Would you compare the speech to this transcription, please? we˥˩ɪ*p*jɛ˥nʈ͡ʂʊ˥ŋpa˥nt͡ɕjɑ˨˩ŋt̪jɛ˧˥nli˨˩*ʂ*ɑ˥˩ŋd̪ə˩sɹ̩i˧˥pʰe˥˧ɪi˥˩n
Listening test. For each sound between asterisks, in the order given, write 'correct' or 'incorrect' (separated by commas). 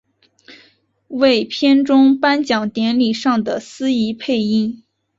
incorrect, correct